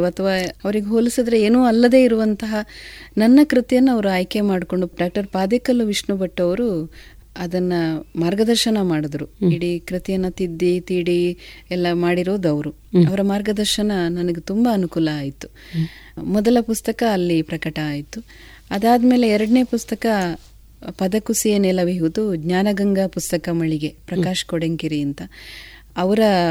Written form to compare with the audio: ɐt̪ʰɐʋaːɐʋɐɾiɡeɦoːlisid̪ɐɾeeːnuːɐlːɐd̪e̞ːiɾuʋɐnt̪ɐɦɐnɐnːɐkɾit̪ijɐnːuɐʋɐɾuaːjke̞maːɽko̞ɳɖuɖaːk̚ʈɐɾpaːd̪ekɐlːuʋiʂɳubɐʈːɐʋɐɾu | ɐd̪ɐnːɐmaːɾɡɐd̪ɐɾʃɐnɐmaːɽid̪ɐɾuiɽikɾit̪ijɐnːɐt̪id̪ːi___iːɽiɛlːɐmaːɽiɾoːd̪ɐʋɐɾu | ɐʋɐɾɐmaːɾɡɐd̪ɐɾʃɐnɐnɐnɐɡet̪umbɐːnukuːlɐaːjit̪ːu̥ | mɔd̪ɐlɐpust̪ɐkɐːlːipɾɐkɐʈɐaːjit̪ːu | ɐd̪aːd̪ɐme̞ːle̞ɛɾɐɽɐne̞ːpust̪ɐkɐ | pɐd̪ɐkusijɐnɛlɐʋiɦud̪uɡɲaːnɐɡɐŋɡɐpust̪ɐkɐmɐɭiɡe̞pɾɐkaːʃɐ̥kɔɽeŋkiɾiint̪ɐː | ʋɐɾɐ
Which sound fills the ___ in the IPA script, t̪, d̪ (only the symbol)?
t̪